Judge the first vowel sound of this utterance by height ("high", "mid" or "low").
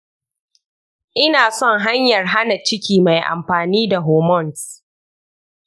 high